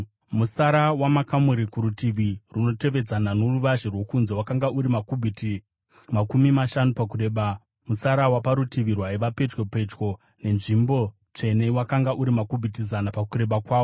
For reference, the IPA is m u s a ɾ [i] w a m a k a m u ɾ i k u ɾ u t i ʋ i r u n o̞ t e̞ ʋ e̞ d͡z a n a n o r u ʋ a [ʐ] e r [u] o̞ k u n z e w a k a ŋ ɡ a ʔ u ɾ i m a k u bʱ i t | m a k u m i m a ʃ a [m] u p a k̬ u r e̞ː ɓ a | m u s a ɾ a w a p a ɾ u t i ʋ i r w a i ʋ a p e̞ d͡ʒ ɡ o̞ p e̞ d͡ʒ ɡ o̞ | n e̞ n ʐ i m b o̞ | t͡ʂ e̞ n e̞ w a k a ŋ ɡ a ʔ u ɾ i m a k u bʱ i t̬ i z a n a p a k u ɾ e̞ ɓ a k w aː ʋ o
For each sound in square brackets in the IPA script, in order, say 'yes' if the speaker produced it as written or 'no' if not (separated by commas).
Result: no, no, no, no